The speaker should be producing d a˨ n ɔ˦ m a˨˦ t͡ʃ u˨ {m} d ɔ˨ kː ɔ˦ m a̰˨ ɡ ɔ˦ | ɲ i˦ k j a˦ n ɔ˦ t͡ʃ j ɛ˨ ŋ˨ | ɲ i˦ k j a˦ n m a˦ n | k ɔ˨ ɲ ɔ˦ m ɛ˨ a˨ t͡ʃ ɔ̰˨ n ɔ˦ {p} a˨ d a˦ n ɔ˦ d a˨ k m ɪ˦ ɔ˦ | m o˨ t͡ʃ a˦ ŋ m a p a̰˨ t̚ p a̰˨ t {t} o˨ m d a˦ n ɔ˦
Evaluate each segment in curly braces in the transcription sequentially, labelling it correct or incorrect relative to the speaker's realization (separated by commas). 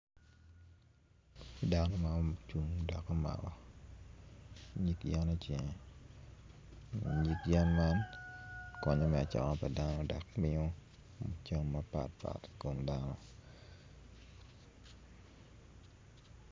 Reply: incorrect, correct, incorrect